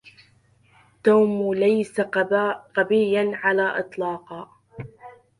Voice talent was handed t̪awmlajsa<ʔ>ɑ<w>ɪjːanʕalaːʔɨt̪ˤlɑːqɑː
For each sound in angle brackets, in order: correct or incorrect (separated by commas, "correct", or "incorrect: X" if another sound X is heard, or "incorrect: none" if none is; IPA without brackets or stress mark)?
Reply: incorrect: q, incorrect: b